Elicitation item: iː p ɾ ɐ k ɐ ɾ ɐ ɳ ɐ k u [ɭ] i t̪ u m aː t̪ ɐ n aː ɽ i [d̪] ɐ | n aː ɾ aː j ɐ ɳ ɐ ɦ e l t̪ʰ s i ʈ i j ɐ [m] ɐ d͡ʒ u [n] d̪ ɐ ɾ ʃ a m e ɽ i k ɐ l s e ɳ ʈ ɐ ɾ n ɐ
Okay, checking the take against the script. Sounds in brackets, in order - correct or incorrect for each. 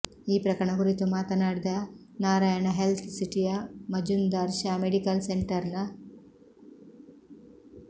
incorrect: ɾ, correct, correct, correct

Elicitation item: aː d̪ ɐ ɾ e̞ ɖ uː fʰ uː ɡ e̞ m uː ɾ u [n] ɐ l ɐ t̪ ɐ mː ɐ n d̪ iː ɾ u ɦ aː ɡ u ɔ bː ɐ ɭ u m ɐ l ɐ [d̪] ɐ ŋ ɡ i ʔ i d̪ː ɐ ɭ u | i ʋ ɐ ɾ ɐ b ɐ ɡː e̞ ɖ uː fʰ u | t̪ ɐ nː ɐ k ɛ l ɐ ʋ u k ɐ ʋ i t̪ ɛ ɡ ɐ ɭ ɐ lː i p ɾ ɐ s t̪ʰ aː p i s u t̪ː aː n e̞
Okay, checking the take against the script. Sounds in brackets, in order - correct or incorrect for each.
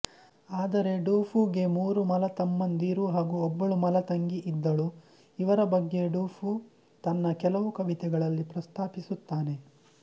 incorrect: m, incorrect: t̪

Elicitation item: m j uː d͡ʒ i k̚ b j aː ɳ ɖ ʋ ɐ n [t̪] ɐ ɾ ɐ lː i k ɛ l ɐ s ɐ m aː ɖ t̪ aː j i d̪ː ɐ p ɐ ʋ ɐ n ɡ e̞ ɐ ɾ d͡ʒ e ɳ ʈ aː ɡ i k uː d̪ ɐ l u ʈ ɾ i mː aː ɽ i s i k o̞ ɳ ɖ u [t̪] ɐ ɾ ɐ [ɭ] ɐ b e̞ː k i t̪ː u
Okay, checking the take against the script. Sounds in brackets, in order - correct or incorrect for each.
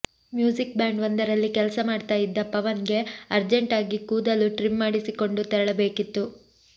incorrect: d̪, correct, correct

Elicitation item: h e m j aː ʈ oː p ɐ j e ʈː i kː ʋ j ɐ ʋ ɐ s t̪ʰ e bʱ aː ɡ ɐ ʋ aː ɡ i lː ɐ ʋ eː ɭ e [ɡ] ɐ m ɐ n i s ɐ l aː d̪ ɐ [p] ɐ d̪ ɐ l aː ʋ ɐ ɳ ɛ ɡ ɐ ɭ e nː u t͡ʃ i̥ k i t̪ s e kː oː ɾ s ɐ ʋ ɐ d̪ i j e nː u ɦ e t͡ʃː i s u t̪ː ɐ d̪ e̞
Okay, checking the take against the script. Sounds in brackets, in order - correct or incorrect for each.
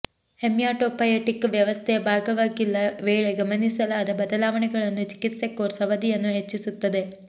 correct, incorrect: b

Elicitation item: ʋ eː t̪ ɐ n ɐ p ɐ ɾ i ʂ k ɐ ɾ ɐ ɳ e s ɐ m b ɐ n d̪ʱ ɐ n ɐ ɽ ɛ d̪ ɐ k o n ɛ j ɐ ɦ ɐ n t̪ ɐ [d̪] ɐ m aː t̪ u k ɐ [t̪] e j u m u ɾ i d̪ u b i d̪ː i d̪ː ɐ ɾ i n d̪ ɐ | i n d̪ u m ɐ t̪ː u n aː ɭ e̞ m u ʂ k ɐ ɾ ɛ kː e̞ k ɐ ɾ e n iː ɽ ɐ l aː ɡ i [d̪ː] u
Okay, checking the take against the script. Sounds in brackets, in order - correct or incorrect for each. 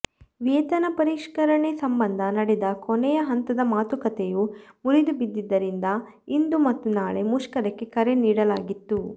correct, correct, incorrect: t̪ː

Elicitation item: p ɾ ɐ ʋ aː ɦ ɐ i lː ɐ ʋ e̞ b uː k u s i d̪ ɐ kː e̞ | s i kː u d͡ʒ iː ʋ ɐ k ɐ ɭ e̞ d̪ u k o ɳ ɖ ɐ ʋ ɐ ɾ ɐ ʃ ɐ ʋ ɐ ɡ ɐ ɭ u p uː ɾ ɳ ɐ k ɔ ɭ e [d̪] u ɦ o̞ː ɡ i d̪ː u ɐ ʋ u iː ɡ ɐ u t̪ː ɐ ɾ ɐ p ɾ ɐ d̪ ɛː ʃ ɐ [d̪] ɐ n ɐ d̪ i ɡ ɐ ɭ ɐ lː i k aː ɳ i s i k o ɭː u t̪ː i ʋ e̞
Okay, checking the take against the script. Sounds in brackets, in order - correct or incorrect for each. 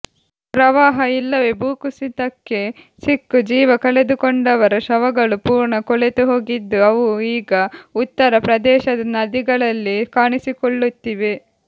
incorrect: t̪, correct

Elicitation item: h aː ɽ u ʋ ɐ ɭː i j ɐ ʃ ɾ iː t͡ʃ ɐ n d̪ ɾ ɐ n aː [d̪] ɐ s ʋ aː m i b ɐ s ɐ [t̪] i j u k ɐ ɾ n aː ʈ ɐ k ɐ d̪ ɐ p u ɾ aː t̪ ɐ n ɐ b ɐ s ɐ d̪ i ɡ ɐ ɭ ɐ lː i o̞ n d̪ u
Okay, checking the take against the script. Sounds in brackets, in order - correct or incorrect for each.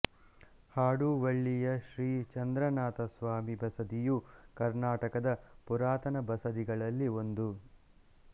incorrect: t̪, incorrect: d̪

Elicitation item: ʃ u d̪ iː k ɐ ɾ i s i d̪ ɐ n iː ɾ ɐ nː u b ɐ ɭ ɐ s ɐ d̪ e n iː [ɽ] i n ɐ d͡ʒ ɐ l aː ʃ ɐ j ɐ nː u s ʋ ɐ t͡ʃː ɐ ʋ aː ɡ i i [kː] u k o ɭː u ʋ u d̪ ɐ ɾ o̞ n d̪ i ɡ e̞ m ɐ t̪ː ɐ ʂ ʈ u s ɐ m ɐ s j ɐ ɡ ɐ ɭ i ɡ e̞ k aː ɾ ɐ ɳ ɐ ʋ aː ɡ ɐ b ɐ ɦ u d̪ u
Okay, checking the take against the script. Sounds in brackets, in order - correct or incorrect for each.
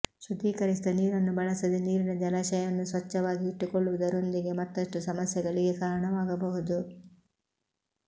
incorrect: ɾ, incorrect: ʈː

